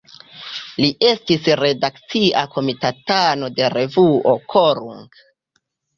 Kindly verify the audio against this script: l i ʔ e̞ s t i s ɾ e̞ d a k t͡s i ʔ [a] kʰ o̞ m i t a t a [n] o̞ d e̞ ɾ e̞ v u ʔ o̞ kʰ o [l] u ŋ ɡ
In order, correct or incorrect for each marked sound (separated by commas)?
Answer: correct, correct, incorrect